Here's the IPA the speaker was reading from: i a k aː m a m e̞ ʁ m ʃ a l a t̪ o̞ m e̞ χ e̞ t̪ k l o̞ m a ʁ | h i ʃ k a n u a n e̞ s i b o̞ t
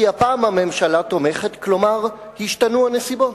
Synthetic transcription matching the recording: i a p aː m a m e̞ m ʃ a l a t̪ o̞ m e̞ χ e̞ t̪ k l o̞ m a ʁ | h i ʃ t a n u a n e̞ s i b o̞ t